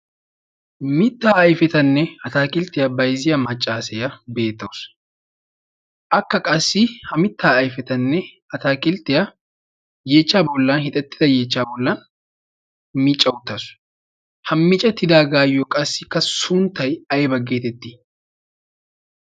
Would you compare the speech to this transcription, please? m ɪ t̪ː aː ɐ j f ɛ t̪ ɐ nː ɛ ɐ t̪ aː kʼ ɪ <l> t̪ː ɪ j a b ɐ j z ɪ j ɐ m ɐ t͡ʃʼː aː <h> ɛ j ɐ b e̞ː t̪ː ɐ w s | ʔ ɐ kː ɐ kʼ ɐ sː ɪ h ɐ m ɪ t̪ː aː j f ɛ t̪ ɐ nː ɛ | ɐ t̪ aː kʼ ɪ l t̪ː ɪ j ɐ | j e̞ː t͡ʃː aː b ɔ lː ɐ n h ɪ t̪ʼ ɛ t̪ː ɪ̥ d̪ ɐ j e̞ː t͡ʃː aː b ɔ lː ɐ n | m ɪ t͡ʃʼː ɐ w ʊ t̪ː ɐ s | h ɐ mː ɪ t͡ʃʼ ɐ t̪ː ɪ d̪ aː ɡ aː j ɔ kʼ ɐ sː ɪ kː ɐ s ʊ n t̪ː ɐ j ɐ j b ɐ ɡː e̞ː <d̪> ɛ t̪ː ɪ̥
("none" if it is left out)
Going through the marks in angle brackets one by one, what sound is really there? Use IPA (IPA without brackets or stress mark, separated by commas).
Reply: l, s, t̪